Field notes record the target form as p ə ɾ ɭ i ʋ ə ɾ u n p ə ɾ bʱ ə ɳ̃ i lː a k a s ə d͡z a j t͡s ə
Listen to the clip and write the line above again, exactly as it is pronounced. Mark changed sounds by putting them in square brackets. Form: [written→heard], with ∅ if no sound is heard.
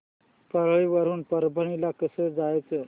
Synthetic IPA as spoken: p ə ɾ ɭ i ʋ ə ɾ [u→uː] n p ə ɾ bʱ ə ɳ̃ i [lː→l] a k [a→ə] s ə d͡z a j t͡s ə